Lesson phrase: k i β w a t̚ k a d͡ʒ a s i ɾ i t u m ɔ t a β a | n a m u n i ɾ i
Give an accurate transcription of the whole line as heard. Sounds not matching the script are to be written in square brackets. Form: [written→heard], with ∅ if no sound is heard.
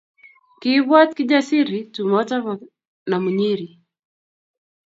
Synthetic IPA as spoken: k i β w a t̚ k [a→i] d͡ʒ a s i ɾ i t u m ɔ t a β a | n a m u [n→ɲ] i ɾ i